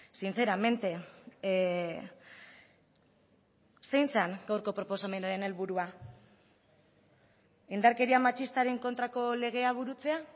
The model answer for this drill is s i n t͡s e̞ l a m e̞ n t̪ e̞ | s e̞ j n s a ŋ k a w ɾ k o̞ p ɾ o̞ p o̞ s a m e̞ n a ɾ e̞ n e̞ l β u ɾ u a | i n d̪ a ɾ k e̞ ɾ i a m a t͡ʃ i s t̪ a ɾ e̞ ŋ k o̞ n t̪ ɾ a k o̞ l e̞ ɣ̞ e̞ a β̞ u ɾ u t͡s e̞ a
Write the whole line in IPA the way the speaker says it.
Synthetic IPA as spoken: s i n t͡s e̞ ɾ a m e̞ n t̪ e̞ | s e̞ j n s a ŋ ɡ a w ɾ k o̞ p ɾ o̞ p o̞ s a m e̞ n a ɾ e̞ n e̞ l β u ɾ u a | i n d̪ a ɾ k e̞ ɾ i a m a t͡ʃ i s t̪ a ɾ e̞ ŋ k o̞ n t̪ ɾ a k o̞ l e̞ ɣ̞ e̞ a β̞ u ɾ u t͡s e̞ a